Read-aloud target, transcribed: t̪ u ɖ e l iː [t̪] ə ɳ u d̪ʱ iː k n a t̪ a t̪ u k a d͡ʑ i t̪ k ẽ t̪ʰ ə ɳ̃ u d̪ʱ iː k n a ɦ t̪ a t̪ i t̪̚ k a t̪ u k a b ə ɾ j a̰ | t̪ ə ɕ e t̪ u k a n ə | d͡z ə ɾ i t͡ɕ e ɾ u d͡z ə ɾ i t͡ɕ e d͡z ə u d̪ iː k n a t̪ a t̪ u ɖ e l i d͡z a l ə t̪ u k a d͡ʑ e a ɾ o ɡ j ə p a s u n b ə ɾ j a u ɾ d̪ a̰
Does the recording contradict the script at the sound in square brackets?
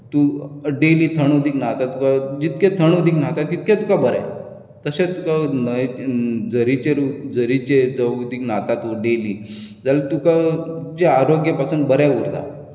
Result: yes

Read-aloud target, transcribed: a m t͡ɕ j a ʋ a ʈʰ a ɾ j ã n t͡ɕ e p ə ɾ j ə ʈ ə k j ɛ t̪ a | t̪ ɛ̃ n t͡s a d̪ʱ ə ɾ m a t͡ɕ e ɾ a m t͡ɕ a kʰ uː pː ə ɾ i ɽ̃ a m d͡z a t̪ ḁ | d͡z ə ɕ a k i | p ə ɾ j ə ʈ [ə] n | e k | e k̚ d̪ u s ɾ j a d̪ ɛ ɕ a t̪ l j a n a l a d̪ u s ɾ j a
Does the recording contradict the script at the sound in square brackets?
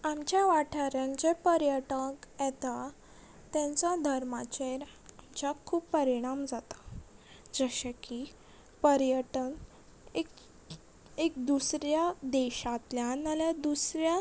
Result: no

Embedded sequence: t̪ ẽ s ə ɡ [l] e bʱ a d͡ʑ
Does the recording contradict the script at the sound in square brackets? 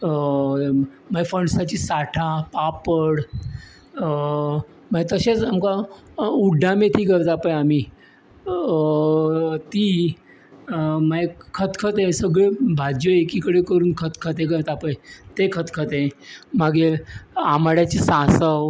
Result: yes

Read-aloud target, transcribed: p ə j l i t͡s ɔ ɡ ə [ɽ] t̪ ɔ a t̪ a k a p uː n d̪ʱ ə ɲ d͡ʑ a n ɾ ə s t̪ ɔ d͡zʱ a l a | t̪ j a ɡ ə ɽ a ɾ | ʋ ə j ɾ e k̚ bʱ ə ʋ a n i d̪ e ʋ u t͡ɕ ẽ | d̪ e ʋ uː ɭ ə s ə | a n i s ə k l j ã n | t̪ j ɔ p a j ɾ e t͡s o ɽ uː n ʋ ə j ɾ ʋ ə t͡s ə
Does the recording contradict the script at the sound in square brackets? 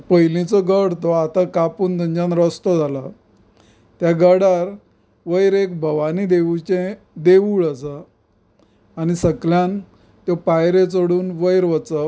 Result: no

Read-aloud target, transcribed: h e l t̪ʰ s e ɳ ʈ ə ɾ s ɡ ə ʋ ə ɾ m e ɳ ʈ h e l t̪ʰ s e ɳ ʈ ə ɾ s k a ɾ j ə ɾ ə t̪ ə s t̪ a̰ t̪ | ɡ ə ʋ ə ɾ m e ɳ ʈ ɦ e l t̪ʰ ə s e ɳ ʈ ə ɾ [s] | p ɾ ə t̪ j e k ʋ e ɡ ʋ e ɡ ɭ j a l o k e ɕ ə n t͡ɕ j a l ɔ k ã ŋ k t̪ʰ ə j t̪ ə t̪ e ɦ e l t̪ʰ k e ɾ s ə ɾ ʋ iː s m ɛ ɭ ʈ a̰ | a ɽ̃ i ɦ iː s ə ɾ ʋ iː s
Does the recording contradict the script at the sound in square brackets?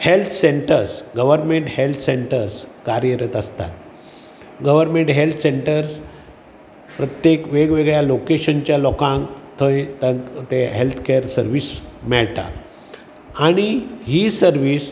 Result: no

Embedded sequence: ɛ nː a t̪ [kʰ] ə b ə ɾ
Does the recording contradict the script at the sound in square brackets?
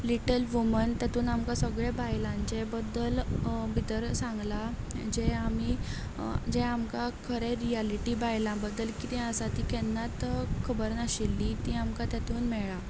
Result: no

